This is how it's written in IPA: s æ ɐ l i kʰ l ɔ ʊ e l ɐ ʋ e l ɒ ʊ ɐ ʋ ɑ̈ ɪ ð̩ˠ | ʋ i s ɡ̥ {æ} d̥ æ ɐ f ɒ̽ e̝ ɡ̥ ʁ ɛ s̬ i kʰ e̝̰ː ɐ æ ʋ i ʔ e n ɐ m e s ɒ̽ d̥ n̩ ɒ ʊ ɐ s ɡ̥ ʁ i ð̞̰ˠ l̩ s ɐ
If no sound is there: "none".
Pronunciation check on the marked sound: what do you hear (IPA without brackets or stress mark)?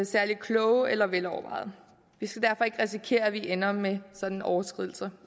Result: æ